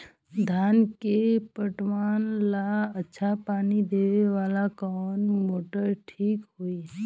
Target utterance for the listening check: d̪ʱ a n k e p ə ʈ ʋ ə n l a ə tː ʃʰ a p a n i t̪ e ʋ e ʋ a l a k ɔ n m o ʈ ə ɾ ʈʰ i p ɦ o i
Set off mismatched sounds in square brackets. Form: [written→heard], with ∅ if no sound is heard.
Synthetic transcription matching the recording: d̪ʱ a n k e p ə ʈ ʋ [ə→a] n l a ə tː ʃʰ a p a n i [t̪→d̪] e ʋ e ʋ a l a k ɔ n m o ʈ ə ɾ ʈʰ i [p→k] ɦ o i